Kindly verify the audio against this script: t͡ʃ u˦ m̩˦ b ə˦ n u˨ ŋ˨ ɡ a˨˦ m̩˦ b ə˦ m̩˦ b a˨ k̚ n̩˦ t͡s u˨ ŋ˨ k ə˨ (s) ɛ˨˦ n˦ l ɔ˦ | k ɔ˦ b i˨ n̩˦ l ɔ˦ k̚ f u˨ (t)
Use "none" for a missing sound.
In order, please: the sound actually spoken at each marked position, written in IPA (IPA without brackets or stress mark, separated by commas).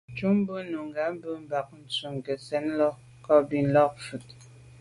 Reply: s, t